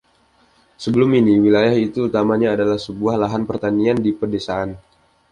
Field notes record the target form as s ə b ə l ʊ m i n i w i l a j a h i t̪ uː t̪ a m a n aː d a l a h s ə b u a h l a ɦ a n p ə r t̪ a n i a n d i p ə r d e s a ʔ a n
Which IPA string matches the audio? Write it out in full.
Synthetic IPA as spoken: s ə b ə l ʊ m i n i w i l a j a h i t̪ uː t̪ a m a ɲ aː d a l a h s ə b u a h l a ɦ a n p ə r t̪ a n i a n d i p ə r d e s a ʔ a n

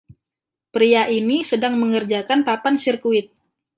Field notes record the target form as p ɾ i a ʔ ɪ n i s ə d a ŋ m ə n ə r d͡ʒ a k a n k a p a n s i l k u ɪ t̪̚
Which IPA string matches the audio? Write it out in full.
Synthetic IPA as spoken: p ɾ i a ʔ i n i s ə d a ŋ m ə ŋ ə r d͡ʒ a k a n p a p a n s i r k u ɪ t̪̚

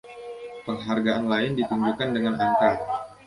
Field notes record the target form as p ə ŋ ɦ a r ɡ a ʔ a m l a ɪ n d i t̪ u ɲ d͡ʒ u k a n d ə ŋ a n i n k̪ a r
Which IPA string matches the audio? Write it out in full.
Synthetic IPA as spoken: p ə ŋ ɦ a r ɡ a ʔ a n l a ɪ n d i t̪ u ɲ d͡ʒ u k a n d ə ŋ a n a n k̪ a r

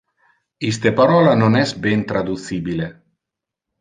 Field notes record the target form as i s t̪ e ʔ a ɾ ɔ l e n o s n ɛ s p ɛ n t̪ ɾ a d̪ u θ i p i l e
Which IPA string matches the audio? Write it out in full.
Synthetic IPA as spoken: i s t̪ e p a ɾ ɔ l a n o n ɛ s b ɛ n t̪ ɾ a d̪ u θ i b i l e

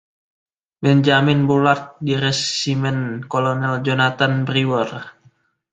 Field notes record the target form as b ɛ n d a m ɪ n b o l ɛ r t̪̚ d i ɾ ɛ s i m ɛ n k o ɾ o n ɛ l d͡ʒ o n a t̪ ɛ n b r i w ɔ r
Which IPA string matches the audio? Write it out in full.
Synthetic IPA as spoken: b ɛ n d͡ʒ a m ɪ n b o l a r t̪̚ d i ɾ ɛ s i m ɛ n k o l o n ɛ l d͡ʒ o n a t̪ a n b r i w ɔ r

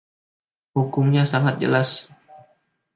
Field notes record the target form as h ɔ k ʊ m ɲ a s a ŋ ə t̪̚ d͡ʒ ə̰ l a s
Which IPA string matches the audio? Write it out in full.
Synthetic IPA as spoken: h u k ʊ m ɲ a s a ŋ a t̪̚ d͡ʒ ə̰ l a s

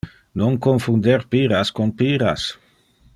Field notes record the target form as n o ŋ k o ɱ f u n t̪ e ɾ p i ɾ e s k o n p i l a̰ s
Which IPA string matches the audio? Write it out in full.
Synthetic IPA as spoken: n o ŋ k o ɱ f u n d̪ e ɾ p i ɾ a s k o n p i ɾ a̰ s

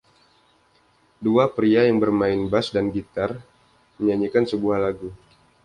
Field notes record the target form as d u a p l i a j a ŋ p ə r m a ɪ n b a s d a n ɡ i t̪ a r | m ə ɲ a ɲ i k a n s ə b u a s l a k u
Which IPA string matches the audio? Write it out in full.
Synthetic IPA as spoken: d u a p ɾ i a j a ŋ b ə r m a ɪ n b a s d a n ɡ i t̪ a r | m ə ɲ a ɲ i k a n s ə b u a h l a ɡ u

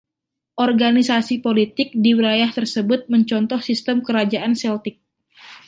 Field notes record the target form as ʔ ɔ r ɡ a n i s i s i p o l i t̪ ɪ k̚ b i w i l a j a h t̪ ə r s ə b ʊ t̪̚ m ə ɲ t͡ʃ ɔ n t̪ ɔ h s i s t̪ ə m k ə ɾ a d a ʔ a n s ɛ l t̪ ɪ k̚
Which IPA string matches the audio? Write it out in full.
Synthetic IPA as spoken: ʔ ɔ r ɡ a n i s a s i p o l i t̪ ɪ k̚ d i w i l a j a h t̪ ə r s ə b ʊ t̪̚ m ə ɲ t͡ʃ ɔ n t̪ ɔ h s i s t̪ ə m k ə ɾ a d͡ʒ a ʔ a n s ɛ l t̪ ɪ k̚

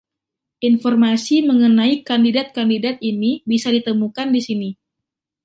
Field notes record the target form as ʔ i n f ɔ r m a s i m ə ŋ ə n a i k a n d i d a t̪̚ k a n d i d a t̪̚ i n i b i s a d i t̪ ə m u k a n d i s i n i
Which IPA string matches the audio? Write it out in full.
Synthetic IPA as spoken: ʔ i n f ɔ r m a s i m ə ŋ ə n a i k a n d i d a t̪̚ k a n d i d a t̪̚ i n i b i s a d i t̪ ə m u k a n d i s i n i

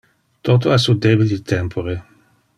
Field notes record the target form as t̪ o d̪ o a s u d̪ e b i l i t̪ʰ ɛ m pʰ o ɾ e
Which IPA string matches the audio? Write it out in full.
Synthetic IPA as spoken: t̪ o t̪ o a s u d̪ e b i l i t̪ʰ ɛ m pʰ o ɾ e

